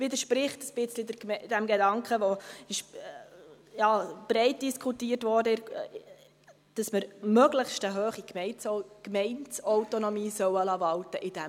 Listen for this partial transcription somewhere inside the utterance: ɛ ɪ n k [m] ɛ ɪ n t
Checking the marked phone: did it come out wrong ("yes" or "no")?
no